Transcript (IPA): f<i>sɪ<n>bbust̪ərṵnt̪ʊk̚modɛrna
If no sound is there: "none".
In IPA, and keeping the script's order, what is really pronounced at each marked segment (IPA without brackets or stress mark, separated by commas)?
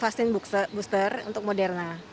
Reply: a, n